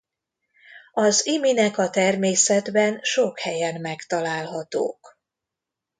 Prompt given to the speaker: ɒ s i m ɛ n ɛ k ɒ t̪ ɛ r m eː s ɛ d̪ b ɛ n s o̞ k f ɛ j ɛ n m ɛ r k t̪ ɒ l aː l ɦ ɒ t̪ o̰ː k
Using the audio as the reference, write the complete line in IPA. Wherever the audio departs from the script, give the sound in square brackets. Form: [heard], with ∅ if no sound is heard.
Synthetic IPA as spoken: ɒ [z] i m [i] n ɛ k ɒ t̪ ɛ r m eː s ɛ d̪ b ɛ n [ʃ] o̞ k [h] ɛ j ɛ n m ɛ [∅] k t̪ ɒ l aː l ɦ ɒ t̪ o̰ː k